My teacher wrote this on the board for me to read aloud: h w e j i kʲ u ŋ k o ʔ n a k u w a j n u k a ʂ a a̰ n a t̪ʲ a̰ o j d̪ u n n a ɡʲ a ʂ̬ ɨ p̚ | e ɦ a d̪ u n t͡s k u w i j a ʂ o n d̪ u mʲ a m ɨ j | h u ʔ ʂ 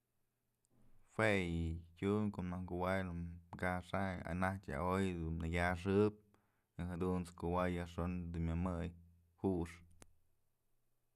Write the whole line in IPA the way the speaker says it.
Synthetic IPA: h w e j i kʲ u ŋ k o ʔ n a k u w a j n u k a ʂ a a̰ n a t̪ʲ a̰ o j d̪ u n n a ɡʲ a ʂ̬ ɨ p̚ | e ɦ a d̪ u n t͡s k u w a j a ʂ o n d̪ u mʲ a m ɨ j | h u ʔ ʂ